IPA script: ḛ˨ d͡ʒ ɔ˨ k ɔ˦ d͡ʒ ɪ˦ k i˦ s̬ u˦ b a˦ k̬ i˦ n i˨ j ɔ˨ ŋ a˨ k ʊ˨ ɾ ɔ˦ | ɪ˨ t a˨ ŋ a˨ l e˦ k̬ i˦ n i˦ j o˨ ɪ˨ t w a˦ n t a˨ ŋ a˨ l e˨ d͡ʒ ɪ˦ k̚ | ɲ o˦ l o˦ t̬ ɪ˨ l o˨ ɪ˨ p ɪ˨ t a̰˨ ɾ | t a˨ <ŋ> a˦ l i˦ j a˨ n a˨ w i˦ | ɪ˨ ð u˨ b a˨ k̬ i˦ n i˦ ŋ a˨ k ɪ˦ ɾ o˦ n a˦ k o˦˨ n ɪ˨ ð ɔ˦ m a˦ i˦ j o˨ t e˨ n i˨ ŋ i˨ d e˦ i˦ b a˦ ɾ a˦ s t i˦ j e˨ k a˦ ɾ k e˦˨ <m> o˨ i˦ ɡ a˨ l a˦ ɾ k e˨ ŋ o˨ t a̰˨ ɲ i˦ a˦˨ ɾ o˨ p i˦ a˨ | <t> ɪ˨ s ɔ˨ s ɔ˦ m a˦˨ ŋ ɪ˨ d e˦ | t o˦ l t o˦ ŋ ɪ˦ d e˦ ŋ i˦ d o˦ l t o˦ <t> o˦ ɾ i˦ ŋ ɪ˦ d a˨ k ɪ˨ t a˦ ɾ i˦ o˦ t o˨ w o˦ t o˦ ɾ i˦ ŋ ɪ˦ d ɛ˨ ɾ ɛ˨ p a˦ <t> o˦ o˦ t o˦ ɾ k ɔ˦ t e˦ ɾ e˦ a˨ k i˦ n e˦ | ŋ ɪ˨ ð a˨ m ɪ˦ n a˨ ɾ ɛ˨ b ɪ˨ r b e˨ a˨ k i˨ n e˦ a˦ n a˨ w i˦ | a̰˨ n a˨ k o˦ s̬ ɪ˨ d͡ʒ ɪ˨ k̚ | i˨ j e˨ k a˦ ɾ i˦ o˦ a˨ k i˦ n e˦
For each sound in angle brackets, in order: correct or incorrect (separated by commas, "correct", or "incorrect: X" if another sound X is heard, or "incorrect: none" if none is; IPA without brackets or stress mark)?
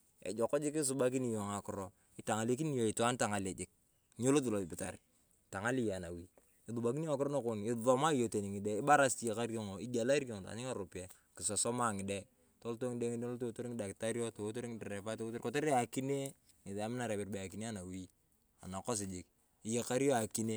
correct, incorrect: ŋ, incorrect: k, correct, correct